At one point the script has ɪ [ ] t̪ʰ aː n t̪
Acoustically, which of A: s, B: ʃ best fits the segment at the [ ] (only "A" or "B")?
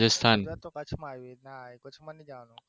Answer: A